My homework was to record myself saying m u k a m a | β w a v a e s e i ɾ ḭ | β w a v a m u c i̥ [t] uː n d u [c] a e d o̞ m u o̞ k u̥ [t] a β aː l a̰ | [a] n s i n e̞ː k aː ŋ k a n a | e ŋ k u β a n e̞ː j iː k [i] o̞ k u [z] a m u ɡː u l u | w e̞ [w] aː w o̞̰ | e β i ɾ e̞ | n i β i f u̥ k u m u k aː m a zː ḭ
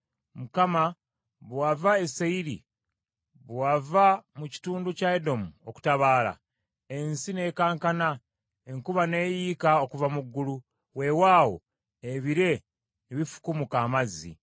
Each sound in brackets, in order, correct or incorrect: correct, correct, correct, incorrect: e, incorrect: a, incorrect: v, correct

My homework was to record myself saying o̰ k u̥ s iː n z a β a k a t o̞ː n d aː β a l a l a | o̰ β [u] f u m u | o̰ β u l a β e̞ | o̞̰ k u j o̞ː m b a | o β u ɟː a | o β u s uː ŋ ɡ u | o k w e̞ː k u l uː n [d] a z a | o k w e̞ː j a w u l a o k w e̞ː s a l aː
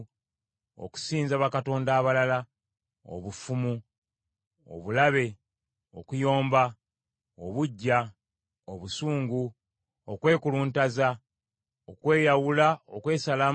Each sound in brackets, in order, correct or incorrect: correct, incorrect: t

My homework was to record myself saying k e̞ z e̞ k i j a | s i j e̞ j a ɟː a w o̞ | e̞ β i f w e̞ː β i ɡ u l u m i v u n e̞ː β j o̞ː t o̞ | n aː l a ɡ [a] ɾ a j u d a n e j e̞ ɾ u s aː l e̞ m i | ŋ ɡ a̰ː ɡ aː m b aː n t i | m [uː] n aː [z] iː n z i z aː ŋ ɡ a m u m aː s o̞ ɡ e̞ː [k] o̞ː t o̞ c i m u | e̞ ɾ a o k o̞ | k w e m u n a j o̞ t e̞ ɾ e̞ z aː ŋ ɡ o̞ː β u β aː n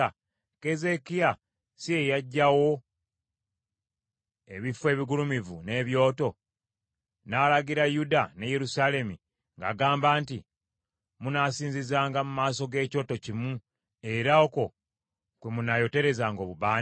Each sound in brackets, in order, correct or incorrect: incorrect: i, incorrect: u, incorrect: s, incorrect: c

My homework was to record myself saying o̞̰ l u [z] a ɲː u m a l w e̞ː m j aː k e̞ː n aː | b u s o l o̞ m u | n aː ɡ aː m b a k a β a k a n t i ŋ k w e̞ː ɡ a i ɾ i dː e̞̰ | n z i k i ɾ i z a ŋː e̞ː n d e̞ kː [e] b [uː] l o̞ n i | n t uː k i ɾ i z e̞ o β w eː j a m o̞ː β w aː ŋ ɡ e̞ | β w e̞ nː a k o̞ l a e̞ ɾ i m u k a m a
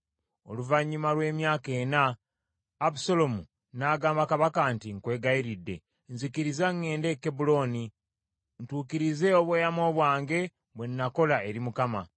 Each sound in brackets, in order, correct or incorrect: incorrect: v, correct, incorrect: u

